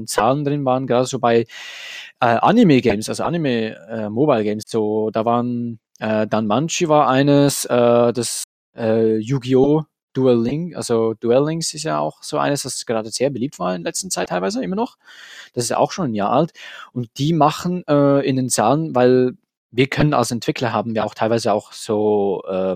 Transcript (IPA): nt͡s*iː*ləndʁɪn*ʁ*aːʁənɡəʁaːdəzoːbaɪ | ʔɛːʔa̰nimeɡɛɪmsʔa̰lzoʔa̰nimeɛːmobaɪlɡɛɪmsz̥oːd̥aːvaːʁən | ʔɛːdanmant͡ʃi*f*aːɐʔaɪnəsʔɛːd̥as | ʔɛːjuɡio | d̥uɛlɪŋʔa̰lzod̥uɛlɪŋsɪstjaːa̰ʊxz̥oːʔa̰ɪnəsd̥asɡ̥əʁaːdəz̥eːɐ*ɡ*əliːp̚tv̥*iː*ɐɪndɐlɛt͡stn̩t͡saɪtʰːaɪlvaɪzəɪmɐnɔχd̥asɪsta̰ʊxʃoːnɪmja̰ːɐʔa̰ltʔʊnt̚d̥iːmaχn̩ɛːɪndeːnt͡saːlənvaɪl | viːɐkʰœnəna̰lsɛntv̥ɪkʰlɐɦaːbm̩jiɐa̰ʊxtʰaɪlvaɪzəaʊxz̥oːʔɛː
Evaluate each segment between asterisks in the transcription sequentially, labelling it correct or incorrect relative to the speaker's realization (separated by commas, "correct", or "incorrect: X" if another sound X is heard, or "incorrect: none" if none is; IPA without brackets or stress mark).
incorrect: aː, incorrect: v, incorrect: v, incorrect: b, incorrect: aː